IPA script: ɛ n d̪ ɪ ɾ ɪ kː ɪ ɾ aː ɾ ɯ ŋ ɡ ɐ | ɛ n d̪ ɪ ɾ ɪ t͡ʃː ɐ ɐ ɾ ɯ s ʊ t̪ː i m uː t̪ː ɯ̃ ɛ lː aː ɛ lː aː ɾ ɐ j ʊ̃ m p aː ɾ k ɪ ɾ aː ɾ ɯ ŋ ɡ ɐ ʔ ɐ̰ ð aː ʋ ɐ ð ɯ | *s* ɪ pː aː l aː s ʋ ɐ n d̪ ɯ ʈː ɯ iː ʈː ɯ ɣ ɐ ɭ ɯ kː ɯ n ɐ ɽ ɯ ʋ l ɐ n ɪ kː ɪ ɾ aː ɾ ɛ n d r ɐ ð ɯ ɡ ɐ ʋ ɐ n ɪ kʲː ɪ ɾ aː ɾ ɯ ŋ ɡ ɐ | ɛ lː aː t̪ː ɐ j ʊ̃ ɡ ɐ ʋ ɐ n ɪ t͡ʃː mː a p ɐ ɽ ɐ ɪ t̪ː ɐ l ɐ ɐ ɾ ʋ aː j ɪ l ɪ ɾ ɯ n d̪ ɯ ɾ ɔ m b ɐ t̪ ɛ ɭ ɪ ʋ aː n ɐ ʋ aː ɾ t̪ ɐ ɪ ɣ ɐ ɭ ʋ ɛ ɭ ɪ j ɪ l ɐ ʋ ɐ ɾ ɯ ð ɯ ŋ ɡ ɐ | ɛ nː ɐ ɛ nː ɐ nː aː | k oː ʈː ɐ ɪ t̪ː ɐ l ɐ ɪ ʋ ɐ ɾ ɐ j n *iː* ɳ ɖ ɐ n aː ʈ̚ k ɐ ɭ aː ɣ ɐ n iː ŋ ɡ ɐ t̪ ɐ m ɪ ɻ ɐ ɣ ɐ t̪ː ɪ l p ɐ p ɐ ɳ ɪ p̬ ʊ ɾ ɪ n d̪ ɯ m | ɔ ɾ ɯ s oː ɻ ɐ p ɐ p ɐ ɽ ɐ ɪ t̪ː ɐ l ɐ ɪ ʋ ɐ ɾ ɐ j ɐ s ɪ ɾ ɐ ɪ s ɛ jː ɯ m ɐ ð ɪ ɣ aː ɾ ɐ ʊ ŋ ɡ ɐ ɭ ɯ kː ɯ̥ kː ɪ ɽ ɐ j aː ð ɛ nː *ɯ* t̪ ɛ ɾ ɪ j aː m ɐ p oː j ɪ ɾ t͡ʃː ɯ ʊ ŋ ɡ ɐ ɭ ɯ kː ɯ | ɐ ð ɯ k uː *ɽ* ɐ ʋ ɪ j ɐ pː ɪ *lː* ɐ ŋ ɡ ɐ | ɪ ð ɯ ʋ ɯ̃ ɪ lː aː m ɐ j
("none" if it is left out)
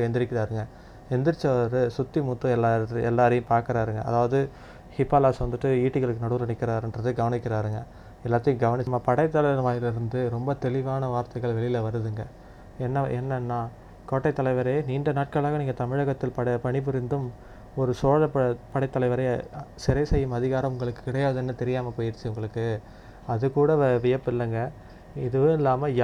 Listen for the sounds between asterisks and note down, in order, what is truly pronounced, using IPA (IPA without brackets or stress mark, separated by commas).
h, iː, ɯ, ɽ, lː